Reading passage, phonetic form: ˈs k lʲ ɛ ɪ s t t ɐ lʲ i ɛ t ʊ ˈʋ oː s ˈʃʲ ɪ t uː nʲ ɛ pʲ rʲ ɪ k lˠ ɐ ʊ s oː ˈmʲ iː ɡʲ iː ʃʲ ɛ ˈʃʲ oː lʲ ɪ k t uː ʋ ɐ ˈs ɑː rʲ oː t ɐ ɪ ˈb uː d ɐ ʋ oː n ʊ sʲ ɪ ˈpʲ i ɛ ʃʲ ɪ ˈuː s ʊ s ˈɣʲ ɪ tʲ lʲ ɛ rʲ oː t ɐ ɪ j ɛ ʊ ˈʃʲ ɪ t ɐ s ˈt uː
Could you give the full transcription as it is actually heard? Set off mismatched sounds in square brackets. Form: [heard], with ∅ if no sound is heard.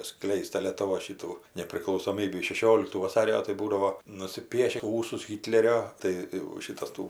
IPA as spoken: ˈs k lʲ ɛ ɪ s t t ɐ lʲ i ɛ t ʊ ˈʋ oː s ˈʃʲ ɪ t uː nʲ ɛ pʲ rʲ ɪ k lˠ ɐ ʊ s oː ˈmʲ iː [bʲ] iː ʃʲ ɛ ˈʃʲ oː lʲ ɪ k t uː ʋ ɐ ˈs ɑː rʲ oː t ɐ ɪ ˈb uː d ɐ ʋ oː n ʊ sʲ ɪ ˈpʲ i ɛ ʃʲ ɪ ˈuː s ʊ s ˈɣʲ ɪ tʲ lʲ ɛ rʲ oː t ɐ ɪ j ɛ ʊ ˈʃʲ ɪ t ɐ s ˈt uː